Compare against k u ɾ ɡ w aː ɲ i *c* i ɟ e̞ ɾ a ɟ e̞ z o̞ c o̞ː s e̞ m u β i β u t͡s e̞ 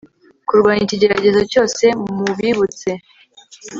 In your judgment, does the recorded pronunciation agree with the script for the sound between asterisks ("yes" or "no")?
yes